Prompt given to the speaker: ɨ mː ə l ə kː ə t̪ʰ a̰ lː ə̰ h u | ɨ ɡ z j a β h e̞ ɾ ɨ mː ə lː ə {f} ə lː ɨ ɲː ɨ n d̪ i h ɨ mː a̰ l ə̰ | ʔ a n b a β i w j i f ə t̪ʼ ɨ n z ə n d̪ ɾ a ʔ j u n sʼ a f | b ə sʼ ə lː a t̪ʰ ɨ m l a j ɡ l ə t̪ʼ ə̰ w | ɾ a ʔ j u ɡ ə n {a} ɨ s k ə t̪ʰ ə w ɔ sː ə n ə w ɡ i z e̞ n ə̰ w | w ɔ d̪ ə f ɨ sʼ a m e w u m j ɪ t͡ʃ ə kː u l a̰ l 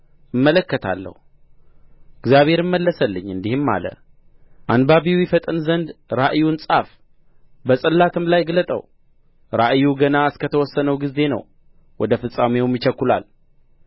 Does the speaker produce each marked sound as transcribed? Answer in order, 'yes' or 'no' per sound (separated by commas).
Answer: no, yes